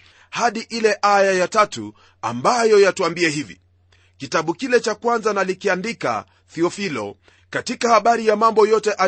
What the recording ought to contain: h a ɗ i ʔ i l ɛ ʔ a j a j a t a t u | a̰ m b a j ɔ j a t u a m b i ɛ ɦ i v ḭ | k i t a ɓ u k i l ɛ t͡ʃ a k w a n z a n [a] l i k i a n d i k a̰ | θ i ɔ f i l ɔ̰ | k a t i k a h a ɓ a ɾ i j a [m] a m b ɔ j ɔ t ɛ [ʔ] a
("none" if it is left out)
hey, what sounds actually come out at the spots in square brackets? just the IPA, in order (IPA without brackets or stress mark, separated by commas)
a, m, ʔ